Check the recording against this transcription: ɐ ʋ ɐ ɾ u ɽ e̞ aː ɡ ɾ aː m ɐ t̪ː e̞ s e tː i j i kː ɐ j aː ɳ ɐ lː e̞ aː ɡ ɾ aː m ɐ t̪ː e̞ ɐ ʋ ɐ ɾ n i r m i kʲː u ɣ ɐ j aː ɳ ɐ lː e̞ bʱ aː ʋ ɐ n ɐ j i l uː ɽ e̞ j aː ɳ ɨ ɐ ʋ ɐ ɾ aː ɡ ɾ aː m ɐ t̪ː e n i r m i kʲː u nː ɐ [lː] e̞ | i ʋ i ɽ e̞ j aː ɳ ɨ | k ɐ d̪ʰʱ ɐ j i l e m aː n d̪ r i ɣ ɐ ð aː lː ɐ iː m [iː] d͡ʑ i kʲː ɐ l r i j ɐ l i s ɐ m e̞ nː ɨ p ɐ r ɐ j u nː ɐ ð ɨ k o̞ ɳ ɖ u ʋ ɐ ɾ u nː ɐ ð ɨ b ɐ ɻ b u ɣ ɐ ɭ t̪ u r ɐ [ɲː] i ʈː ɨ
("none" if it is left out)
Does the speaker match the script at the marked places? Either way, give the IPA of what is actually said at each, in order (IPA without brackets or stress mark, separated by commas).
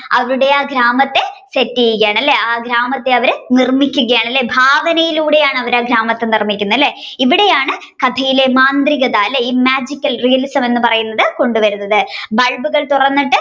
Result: lː, aː, nː